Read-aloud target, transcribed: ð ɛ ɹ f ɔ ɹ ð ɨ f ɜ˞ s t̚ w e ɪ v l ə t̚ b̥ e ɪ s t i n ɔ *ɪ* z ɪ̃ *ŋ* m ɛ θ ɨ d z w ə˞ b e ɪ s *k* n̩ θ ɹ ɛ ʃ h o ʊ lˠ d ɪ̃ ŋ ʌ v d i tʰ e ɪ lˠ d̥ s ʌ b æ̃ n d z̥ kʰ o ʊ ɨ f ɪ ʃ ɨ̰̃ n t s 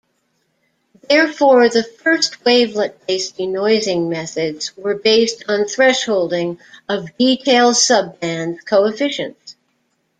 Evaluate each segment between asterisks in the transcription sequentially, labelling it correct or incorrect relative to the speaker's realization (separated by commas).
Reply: correct, correct, incorrect